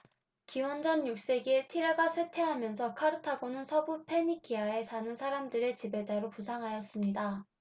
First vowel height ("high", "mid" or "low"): high